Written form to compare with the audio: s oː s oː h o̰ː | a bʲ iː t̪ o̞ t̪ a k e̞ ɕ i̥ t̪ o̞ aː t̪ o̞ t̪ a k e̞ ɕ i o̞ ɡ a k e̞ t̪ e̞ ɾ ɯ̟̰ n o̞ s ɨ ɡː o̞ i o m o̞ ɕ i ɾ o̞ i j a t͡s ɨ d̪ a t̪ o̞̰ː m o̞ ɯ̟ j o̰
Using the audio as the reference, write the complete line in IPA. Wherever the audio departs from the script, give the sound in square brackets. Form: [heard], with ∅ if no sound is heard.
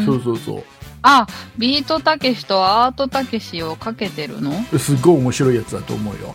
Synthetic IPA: s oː s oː [s] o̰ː | a bʲ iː t̪ o̞ t̪ a k e̞ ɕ i̥ t̪ o̞ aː t̪ o̞ t̪ a k e̞ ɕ i o̞ [k] a k e̞ t̪ e̞ ɾ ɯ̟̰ n o̞ s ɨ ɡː o̞ i o m o̞ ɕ i ɾ o̞ i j a t͡s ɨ d̪ a t̪ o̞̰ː m o̞ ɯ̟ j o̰